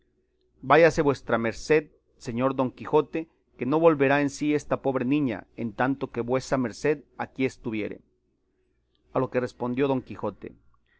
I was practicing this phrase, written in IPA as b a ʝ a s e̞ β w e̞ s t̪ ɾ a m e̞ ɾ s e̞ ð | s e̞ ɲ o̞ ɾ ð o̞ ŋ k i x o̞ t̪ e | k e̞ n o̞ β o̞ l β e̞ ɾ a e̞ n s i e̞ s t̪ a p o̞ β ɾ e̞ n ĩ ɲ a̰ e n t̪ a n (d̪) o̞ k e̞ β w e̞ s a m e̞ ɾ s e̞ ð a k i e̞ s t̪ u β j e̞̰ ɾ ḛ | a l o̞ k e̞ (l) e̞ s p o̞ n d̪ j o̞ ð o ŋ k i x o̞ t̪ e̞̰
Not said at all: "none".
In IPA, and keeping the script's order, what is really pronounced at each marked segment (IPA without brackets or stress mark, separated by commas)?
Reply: t̪, r